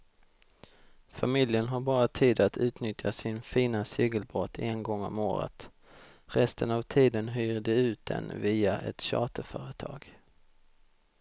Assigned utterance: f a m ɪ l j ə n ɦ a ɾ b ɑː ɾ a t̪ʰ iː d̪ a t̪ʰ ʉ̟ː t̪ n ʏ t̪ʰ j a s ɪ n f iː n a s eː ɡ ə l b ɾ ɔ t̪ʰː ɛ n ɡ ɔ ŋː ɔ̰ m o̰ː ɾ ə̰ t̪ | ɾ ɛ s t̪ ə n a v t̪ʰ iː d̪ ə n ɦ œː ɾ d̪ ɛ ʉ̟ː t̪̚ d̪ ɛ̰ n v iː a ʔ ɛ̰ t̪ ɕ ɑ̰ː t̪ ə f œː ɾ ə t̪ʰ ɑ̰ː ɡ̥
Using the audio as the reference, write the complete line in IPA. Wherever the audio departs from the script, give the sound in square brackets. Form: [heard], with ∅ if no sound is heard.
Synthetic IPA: f a m ɪ l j ə n ɦ a ɾ b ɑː ɾ a t̪ʰ iː d̪ a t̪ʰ ʉ̟ː t̪ n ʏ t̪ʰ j a s ɪ n f iː n a s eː ɡ ə l b ɾ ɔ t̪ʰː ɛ n ɡ ɔ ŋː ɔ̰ m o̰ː ɾ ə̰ t̪ | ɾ ɛ s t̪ ə n a v t̪ʰ iː d̪ ə n ɦ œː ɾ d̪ ɛ ʉ̟ː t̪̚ d̪ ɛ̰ n v iː a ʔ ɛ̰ t̪ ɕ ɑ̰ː t̪ ə f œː ɾ ə t̪ʰ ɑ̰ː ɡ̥